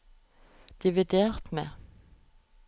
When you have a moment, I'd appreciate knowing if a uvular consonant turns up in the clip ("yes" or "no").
yes